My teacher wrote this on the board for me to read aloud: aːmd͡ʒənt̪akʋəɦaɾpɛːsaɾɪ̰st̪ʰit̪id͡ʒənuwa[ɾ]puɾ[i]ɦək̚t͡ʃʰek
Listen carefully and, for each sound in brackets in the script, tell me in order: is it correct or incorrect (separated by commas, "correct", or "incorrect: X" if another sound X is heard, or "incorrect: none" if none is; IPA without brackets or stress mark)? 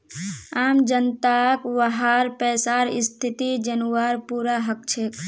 correct, incorrect: a